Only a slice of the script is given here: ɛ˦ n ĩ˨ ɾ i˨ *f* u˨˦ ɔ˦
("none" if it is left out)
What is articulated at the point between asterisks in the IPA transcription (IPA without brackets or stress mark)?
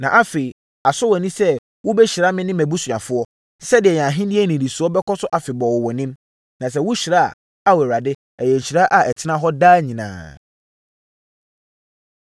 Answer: s